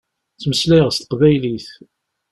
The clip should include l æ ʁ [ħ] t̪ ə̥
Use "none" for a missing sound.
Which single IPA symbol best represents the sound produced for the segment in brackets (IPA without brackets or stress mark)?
s